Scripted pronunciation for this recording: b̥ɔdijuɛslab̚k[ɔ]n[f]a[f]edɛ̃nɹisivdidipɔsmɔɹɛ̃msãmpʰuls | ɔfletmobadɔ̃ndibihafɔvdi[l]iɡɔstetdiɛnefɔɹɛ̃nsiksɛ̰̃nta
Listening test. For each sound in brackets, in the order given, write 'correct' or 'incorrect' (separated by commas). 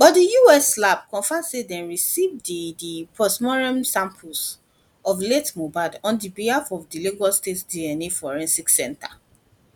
incorrect, correct, incorrect, correct